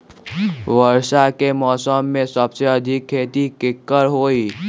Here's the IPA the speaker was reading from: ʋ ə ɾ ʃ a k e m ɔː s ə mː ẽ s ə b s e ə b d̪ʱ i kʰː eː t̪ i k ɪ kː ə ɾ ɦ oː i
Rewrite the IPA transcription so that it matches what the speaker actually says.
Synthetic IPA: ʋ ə ɾ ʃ a k e m ɔː s ə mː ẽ s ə b s e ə d̪ʱ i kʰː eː t̪ i k ɪ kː ə ɾ ɦ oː i